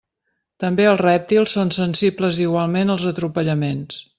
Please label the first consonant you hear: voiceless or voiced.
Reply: voiceless